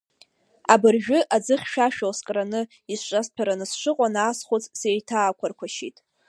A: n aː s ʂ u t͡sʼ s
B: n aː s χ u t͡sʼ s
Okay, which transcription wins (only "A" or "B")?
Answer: B